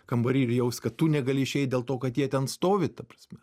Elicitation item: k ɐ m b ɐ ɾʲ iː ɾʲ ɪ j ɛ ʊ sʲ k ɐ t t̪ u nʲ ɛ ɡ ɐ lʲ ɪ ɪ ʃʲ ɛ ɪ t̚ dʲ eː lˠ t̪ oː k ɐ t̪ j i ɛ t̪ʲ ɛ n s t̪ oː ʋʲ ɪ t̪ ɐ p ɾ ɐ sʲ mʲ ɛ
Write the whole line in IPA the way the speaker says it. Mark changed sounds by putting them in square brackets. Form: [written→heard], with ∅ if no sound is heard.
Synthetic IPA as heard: k ɐ m b ɐ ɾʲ iː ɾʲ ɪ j ɛ ʊ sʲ k ɐ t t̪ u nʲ ɛ ɡ ɐ lʲ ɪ ɪ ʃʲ ɛ ɪ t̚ dʲ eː lˠ t̪ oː k ɐ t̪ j i ɛ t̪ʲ ɛ n s t̪ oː ʋʲ ɪ t̪ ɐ p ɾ ɐ sʲ mʲ ɛ